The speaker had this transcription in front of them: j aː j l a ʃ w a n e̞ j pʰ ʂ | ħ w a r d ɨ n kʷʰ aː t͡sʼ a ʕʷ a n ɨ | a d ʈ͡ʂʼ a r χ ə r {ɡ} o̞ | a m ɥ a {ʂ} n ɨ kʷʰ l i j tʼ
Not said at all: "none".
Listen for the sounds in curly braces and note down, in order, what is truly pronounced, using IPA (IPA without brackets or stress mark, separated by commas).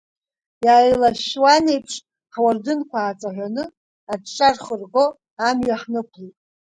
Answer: ɡ, ħ